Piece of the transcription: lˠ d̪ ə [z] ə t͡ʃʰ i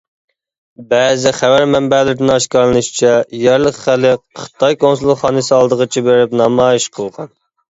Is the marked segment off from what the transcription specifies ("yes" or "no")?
yes